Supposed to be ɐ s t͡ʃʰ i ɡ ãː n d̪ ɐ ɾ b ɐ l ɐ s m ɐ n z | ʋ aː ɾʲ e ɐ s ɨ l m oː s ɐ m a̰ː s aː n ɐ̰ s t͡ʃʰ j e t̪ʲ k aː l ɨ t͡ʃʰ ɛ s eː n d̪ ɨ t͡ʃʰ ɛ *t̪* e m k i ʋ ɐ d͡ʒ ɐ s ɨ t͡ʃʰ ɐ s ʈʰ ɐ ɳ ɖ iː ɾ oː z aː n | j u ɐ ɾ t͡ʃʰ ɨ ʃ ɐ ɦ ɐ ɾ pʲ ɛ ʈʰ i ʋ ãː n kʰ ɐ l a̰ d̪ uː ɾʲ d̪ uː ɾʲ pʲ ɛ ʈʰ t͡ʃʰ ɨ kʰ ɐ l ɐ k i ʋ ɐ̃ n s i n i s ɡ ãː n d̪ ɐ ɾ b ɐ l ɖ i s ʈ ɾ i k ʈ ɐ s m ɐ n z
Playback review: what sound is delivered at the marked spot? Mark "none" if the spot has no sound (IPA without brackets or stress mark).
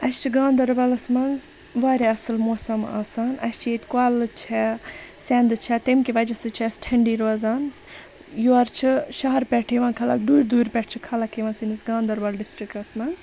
t̪